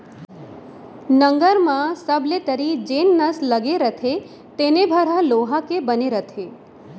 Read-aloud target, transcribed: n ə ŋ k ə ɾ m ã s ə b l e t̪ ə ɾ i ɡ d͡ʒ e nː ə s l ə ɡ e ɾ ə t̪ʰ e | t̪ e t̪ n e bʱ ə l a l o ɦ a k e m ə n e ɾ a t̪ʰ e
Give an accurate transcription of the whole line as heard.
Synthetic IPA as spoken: n ə ŋ ɡ ə ɾ m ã s ə b l e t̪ ə ɾ i d͡ʒ e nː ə s l ə ɡ e ɾ ə t̪ʰ e | t̪ e n e bʱ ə ɾ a l o ɦ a k e b ə n e ɾ ə t̪ʰ e